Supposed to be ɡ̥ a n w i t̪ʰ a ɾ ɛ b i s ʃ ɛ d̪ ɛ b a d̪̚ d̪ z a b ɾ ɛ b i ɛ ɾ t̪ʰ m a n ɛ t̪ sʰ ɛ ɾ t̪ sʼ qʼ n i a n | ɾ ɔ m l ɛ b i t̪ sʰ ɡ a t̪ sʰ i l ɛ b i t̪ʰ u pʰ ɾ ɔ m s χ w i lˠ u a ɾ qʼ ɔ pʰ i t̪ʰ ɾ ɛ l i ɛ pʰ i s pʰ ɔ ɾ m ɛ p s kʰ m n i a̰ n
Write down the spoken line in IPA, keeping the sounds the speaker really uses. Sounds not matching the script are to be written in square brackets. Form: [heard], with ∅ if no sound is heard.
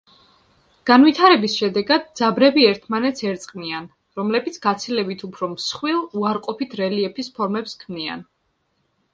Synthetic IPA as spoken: ɡ̥ a n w i t̪ʰ a ɾ ɛ b i s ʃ ɛ d̪ ɛ [ɡ] a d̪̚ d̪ z a b ɾ ɛ b i ɛ ɾ t̪ʰ m a n ɛ t̪ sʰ ɛ ɾ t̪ sʼ qʼ n i a n | ɾ ɔ m l ɛ b i t̪ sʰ ɡ a t̪ sʰ i l ɛ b i t̪ʰ u pʰ ɾ ɔ m s χ w i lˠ u a ɾ qʼ ɔ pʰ i t̪ʰ ɾ ɛ l i ɛ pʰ i s pʰ ɔ ɾ m ɛ p s kʰ m n i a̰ n